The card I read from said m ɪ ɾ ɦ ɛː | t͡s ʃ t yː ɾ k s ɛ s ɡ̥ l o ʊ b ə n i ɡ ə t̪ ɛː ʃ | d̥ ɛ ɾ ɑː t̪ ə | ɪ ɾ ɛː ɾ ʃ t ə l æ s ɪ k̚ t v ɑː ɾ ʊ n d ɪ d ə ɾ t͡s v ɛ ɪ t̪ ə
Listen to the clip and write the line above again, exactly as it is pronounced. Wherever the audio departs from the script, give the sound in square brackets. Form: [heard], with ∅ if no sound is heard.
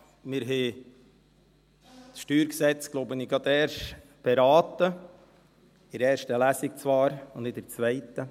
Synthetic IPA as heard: m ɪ ɾ ɦ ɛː | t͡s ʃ t yː ɾ k s ɛ [t͡s] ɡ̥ l o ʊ b ə n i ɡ [ɑ] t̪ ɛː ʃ | [b̥] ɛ ɾ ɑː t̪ ə | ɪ ɾ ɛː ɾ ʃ t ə l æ s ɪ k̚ [t͡s] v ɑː ɾ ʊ n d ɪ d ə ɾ t͡s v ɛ ɪ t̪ ə